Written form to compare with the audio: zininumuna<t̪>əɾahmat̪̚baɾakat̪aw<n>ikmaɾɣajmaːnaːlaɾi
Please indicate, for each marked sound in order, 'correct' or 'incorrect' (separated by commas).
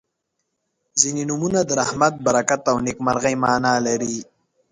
incorrect, correct